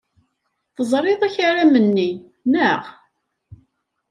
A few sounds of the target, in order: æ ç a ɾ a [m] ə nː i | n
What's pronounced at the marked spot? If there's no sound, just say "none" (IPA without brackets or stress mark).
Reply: m